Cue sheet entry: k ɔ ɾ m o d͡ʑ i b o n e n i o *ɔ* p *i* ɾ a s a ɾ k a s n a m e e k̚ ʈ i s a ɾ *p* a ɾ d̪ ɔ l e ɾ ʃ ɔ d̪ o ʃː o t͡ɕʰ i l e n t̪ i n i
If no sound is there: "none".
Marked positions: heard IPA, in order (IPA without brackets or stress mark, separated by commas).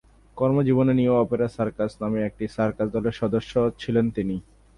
ɔ, e, k